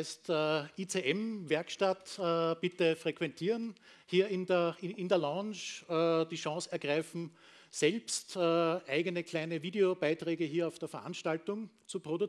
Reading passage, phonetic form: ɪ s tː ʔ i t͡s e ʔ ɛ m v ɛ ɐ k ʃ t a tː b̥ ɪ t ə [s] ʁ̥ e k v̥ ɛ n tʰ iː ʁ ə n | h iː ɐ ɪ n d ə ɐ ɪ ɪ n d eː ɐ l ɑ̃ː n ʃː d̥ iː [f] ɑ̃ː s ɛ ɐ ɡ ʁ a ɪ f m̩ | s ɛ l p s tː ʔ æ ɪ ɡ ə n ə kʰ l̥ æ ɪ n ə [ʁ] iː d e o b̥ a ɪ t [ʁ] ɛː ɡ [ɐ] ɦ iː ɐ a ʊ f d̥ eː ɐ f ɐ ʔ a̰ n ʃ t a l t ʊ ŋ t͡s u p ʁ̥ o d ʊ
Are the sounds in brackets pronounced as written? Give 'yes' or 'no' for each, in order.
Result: no, no, no, yes, no

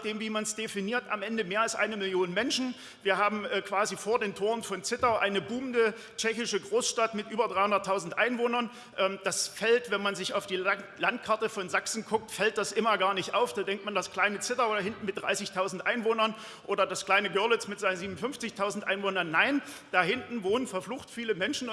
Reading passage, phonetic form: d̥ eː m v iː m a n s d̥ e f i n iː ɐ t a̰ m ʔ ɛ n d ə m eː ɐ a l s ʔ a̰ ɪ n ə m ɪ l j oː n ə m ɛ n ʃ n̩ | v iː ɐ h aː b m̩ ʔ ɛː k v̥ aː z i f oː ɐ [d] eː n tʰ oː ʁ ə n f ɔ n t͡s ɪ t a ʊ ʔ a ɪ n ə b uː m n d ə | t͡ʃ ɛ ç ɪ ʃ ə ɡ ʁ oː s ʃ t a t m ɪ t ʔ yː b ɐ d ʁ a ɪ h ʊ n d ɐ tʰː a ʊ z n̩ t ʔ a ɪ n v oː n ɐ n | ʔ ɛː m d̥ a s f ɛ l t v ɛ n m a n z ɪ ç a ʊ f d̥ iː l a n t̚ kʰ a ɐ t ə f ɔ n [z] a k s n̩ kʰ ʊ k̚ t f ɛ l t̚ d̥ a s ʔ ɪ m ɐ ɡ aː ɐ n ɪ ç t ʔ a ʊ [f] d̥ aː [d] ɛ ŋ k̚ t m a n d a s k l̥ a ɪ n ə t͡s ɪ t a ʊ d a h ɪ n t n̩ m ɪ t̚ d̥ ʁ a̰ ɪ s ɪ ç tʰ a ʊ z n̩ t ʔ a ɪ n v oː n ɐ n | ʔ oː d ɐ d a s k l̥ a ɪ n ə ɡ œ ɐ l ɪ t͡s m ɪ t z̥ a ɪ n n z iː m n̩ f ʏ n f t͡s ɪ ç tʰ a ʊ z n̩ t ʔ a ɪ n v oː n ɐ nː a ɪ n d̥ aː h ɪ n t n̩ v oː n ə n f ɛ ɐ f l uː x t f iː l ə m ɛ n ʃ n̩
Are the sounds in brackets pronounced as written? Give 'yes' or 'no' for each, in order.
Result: yes, yes, yes, yes

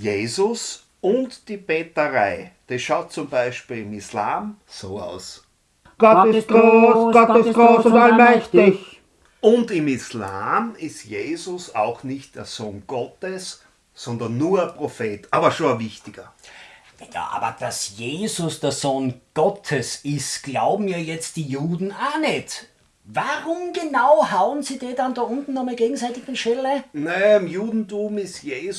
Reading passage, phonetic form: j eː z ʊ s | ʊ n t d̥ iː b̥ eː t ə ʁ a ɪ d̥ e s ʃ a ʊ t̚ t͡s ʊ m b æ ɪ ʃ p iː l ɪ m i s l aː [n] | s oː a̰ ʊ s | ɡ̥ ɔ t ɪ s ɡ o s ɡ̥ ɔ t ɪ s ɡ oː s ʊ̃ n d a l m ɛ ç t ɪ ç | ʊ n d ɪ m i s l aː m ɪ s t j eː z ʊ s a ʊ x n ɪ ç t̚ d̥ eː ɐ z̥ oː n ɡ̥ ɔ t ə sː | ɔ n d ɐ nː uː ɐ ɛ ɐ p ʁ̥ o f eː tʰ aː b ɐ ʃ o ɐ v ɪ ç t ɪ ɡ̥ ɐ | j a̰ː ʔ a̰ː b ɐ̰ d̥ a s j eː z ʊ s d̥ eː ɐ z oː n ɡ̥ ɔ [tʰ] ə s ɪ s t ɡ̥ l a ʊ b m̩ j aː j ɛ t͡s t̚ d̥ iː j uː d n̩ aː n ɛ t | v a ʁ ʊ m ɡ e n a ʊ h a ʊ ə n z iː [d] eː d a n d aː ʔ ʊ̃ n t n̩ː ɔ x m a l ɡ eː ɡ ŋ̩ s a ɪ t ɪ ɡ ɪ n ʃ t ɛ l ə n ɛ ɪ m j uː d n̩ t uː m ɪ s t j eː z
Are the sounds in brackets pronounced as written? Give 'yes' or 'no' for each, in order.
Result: no, yes, yes

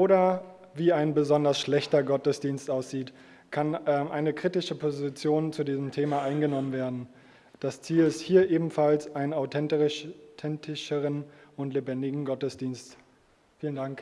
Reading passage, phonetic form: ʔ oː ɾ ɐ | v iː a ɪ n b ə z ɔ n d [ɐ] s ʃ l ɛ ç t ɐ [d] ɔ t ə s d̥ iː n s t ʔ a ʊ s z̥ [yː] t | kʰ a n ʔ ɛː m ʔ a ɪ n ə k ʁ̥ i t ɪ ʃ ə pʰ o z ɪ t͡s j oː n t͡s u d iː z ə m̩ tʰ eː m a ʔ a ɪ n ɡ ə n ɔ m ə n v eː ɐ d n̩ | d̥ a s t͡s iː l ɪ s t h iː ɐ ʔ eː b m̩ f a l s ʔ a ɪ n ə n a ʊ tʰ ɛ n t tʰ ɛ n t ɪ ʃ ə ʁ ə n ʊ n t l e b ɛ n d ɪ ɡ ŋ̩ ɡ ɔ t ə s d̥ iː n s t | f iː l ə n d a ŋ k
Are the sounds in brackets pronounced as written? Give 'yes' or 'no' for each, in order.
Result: yes, no, no

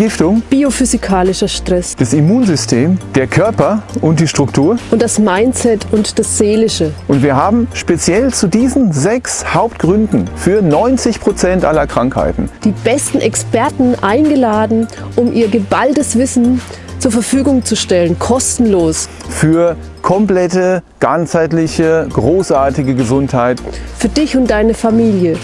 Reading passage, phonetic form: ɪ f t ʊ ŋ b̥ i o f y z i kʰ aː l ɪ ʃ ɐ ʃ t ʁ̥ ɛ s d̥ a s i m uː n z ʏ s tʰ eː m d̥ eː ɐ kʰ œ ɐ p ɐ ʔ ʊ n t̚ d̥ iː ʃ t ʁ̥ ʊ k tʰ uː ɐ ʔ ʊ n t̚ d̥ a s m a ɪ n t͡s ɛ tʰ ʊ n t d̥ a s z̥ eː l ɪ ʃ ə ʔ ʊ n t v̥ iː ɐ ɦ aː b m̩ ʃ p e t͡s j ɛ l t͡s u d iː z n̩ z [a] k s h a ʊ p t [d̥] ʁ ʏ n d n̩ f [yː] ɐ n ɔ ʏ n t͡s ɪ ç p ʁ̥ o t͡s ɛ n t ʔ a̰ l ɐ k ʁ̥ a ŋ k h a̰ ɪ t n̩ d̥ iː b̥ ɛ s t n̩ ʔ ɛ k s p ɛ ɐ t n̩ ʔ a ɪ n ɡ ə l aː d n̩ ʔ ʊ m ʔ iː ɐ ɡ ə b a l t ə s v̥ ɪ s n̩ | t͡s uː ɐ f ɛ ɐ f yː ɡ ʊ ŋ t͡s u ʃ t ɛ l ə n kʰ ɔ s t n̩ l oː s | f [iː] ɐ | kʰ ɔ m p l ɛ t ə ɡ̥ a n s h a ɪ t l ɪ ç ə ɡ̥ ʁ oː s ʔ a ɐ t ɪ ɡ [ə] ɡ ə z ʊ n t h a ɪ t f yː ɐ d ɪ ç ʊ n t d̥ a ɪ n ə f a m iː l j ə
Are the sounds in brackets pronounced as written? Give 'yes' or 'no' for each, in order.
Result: no, no, yes, no, yes

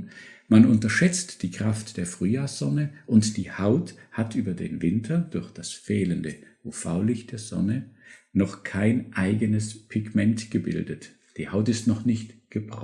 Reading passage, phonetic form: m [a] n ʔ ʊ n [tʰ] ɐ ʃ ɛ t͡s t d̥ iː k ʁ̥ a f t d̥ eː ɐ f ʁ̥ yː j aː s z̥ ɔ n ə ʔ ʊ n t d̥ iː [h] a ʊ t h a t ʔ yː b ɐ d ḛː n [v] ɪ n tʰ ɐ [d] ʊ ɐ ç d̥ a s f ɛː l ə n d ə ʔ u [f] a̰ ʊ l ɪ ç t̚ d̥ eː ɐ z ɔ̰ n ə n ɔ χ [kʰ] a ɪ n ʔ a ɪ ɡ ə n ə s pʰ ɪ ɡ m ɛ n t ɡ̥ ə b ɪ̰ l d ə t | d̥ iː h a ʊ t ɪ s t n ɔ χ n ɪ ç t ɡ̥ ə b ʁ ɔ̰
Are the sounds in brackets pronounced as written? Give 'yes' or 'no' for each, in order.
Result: yes, no, yes, yes, yes, yes, yes

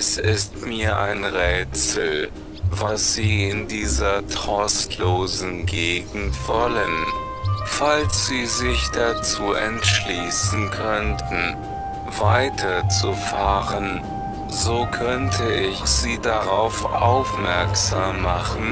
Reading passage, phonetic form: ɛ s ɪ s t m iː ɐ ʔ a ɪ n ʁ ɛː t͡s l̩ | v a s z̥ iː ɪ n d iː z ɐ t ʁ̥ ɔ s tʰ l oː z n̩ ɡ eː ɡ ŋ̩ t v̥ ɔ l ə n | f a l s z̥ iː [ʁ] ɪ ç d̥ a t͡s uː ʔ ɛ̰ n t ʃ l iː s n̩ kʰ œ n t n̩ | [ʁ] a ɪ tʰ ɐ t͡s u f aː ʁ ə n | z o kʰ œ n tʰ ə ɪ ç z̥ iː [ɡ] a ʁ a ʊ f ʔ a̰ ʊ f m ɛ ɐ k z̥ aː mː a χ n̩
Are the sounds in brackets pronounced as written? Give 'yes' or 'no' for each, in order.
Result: no, no, no

